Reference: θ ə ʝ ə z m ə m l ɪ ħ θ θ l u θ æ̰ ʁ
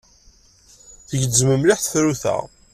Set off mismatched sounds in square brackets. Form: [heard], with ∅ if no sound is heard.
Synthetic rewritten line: θ ə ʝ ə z m ə m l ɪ ħ θ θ [ɾ] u θ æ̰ ʁ